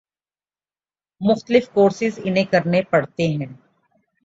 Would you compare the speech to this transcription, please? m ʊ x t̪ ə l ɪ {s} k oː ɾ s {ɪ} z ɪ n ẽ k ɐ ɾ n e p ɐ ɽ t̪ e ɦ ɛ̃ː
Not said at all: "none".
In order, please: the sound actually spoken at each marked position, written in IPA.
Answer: f, ɪ

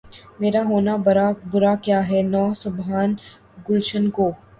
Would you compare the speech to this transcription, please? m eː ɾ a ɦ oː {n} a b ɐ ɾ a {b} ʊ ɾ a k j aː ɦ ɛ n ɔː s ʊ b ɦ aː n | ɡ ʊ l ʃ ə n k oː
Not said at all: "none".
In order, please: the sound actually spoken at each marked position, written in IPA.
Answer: n, b

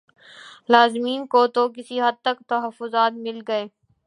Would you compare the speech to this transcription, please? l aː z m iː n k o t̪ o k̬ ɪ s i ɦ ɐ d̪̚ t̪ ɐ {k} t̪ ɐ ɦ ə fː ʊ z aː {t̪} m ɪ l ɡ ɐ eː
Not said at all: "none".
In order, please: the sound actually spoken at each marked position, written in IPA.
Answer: k, t̪

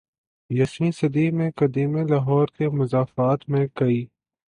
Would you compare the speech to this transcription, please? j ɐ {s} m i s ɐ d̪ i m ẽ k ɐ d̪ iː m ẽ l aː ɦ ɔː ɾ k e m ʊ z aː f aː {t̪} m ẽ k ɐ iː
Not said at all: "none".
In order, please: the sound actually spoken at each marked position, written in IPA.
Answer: s, t̪

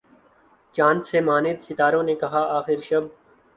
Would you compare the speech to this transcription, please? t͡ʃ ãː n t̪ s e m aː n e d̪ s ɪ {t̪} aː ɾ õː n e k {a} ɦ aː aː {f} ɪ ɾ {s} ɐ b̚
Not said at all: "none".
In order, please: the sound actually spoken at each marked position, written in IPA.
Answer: t̪, ɐ, x, ʃ

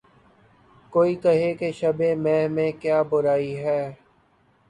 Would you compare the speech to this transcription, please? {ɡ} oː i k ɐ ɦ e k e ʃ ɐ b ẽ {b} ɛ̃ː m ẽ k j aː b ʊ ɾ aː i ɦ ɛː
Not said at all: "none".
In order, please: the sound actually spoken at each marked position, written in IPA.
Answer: k, m

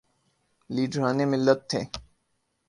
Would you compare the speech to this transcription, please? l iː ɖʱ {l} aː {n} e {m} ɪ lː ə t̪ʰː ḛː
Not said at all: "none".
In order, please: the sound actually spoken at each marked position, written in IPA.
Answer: ɾ, n, m

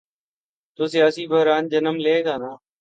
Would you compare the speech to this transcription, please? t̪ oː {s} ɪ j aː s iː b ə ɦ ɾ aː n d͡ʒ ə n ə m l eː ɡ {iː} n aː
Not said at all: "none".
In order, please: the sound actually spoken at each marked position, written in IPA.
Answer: s, aː

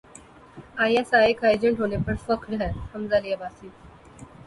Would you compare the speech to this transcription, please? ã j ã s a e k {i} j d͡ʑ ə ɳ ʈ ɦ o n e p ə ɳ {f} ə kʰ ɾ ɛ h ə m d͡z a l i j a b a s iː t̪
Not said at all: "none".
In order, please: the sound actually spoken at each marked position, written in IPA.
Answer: a, f

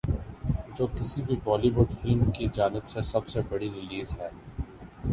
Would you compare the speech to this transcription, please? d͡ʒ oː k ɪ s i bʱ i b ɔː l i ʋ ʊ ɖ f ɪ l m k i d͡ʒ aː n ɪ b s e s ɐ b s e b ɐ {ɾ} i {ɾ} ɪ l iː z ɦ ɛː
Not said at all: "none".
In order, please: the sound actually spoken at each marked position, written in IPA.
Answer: ɽ, ɾ

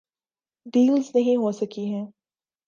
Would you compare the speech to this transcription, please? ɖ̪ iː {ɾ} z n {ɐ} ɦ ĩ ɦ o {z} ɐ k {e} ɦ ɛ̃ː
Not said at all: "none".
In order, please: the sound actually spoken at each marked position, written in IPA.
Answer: l, ɐ, s, i

